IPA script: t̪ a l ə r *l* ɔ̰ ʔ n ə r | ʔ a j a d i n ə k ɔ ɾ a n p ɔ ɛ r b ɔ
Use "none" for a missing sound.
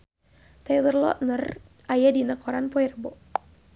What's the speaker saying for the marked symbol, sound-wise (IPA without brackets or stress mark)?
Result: l